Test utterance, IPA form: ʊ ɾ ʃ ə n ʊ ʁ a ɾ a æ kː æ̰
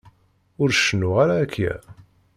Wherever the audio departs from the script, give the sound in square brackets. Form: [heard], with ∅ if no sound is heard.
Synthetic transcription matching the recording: ʊ ɾ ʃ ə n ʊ ʁ a ɾ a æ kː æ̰